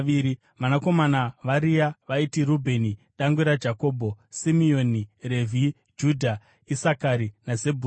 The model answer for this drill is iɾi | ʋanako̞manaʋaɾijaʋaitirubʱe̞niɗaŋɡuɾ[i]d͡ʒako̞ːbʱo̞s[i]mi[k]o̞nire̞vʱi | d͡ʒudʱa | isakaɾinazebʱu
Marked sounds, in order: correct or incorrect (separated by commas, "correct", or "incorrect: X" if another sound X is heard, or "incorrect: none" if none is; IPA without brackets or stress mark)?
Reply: incorrect: a, correct, incorrect: none